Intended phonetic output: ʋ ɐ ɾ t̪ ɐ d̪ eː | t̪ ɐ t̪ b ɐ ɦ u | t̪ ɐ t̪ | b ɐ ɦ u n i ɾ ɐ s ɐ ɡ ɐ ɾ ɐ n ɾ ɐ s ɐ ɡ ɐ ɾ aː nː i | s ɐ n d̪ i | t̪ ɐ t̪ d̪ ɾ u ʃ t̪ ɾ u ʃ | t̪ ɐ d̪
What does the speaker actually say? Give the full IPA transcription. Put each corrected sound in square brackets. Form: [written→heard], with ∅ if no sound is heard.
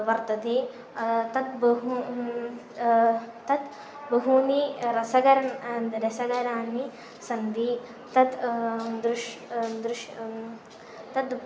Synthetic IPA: ʋ ɐ ɾ t̪ ɐ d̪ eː | t̪ ɐ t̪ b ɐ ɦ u | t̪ ɐ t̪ | b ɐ ɦ u n i ɾ ɐ s ɐ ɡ ɐ ɾ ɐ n ɾ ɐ s ɐ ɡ ɐ ɾ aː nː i | s ɐ n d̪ i | t̪ ɐ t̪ d̪ ɾ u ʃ [t̪→d̪] ɾ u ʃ | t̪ ɐ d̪